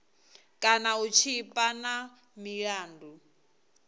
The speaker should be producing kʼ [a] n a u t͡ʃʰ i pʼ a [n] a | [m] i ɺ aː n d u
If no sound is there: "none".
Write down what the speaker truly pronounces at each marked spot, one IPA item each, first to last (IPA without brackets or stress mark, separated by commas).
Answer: a, n, m